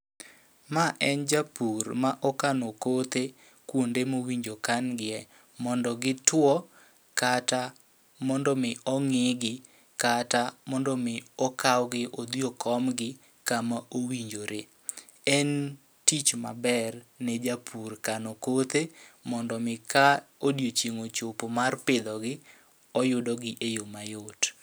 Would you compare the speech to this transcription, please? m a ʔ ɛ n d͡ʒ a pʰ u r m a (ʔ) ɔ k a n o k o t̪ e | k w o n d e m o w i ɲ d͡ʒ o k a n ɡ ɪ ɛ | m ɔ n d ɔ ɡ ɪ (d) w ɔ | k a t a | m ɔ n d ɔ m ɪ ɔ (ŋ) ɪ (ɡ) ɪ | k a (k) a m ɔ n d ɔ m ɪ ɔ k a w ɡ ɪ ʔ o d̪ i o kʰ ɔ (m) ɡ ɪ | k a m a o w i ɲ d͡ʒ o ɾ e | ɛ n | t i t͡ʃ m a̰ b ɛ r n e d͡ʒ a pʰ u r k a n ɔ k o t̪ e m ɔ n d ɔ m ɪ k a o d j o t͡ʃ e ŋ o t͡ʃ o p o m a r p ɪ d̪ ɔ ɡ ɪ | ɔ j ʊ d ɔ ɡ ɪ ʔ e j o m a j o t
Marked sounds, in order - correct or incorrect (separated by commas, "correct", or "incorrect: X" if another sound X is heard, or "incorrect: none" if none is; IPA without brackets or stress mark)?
correct, incorrect: t, correct, correct, incorrect: t, correct